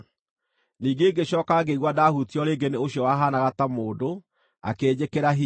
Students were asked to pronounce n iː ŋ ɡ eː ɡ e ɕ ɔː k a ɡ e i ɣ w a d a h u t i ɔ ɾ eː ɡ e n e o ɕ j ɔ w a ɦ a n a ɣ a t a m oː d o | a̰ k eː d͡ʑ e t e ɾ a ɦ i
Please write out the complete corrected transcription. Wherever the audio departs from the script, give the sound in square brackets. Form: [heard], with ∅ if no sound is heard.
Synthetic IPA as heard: n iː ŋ ɡ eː ɡ e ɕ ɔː k a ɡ e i ɣ w a d a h u t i ɔ ɾ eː ɡ e n e o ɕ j ɔ w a ɦ a n a ɣ a t a m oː d o | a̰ k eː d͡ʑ e [k] e ɾ a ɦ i